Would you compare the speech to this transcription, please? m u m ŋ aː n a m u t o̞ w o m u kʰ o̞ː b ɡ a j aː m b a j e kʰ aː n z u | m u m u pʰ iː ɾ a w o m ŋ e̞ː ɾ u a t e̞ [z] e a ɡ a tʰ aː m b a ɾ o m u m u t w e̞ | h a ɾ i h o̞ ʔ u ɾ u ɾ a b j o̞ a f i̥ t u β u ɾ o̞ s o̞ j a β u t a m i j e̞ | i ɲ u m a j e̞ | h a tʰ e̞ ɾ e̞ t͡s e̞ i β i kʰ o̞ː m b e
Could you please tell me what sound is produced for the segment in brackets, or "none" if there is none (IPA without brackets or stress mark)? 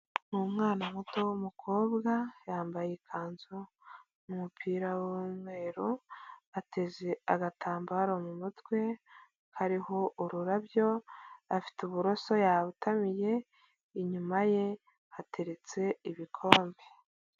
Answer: z